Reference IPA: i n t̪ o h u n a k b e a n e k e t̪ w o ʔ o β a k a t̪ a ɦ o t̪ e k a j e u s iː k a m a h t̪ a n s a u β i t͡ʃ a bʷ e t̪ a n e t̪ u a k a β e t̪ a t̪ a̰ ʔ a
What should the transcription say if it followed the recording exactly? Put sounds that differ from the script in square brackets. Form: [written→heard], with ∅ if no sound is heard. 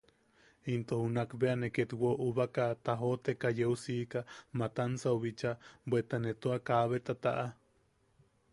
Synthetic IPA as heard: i n t̪ o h u n a k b e a n e k e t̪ w o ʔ [o→u] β a k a t̪ a ɦ o t̪ e k a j e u s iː k a m a [h→∅] t̪ a n s a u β i t͡ʃ a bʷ e t̪ a n e t̪ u a k a β e t̪ a t̪ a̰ ʔ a